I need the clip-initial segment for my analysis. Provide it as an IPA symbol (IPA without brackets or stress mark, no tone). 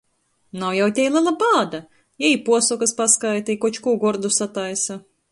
n